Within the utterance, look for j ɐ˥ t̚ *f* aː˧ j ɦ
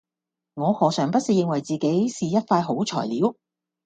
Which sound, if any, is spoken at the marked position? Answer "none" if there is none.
f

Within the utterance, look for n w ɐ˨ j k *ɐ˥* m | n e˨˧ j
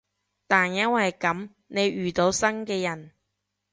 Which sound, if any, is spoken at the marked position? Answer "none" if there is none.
ɐ˨˥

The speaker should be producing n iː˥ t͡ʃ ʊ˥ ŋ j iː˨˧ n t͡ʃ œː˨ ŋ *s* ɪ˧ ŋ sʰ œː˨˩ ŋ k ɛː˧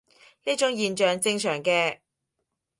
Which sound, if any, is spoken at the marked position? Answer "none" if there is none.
t͡s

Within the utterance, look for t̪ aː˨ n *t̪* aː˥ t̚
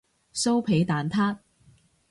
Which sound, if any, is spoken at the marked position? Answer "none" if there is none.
t̪ʰ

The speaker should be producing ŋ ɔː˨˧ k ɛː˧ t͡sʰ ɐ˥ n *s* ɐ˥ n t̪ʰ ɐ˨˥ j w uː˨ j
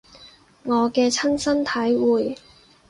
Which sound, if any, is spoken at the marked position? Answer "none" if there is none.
s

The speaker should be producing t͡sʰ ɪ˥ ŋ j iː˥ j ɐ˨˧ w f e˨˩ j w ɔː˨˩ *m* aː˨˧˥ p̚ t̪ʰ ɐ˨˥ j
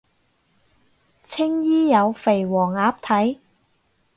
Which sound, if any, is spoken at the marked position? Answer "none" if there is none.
ŋ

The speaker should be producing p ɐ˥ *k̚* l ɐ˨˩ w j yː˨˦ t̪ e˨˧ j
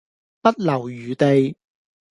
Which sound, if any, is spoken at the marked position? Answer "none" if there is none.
t̚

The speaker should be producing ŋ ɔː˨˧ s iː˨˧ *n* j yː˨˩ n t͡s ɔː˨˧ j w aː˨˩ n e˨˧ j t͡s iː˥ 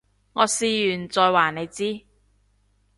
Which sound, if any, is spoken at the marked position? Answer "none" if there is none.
none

